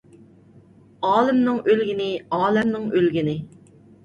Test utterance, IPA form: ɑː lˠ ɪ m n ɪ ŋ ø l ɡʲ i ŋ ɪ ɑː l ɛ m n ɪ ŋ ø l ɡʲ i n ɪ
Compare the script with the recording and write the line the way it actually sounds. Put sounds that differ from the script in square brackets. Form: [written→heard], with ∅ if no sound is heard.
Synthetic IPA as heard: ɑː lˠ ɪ m n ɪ ŋ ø l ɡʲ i [ŋ→n] ɪ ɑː l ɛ m n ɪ ŋ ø l ɡʲ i n ɪ

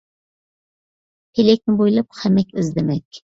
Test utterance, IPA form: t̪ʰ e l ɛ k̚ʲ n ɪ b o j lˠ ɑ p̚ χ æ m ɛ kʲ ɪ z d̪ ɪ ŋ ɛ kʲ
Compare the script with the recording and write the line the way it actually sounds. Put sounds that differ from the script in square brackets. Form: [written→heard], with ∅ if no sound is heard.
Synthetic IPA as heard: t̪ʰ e l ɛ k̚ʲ n ɪ b o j lˠ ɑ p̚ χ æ m ɛ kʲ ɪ z d̪ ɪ [ŋ→m] ɛ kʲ

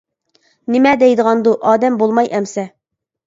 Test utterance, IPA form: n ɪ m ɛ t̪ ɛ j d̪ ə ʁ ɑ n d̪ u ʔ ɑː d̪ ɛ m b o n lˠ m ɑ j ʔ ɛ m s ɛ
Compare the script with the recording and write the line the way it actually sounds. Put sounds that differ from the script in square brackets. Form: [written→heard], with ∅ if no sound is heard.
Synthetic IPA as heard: n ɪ m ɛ [t̪→d̪] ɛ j d̪ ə ʁ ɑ n d̪ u ʔ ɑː d̪ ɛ m b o [n→∅] lˠ m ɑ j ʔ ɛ m s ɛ

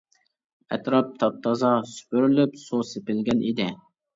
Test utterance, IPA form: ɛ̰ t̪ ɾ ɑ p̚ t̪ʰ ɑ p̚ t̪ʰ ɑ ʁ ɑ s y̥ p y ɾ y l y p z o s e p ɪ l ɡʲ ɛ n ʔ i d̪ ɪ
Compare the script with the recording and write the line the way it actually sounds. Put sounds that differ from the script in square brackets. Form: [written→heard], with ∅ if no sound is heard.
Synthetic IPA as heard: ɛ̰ t̪ ɾ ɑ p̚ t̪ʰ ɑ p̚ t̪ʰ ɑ [ʁ→z] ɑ s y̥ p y ɾ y l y p [z→s] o s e p ɪ l ɡʲ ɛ n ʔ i d̪ ɪ

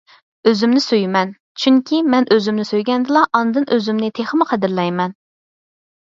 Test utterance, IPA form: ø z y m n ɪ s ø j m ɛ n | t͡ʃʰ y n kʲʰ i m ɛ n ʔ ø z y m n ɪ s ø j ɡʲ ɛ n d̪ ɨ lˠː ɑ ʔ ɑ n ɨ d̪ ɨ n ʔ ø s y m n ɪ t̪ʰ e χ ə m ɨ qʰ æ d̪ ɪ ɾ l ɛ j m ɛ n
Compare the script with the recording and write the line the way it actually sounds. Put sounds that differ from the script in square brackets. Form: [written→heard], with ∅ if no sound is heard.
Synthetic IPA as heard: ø z y m n ɪ s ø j m ɛ n | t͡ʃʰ y [n→ŋ] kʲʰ i m ɛ n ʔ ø z y m n ɪ s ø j ɡʲ ɛ n d̪ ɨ [lˠː→lˠ] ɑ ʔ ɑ n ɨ d̪ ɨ n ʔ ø [s→z] y m n ɪ t̪ʰ e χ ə m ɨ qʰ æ d̪ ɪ ɾ l ɛ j m ɛ n

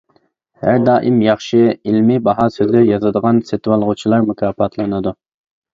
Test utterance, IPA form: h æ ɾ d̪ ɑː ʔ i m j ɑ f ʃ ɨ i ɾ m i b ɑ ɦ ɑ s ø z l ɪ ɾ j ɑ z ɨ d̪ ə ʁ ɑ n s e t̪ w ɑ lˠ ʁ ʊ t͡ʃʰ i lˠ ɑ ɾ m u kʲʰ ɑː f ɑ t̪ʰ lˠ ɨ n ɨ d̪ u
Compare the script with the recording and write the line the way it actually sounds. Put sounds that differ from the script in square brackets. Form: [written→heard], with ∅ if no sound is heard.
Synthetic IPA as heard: h æ ɾ d̪ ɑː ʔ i m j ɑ [f→χ] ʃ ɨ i [ɾ→l] m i b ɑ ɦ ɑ s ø z l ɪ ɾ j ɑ z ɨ d̪ ə ʁ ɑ n s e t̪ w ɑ lˠ ʁ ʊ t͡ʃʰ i lˠ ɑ ɾ m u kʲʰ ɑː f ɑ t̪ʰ lˠ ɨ n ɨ d̪ u

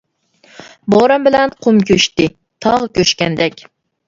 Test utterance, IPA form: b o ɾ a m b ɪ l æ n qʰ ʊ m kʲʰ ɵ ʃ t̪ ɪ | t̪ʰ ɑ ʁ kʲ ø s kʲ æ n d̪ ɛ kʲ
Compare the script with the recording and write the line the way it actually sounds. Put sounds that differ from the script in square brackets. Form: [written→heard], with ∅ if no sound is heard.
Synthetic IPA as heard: b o ɾ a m b ɪ l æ n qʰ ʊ m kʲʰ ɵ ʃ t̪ ɪ | t̪ʰ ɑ ʁ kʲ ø [s→ʃ] kʲ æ n d̪ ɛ kʲ

